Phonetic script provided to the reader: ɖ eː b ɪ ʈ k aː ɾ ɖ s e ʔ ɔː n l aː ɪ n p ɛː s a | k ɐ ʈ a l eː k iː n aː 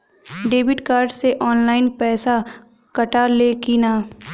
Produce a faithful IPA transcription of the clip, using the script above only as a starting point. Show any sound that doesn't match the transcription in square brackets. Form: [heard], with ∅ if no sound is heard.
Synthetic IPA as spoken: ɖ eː b ɪ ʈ k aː ɾ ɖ s e ʔ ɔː n l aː ɪ n p ɛː s a | k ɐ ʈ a l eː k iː n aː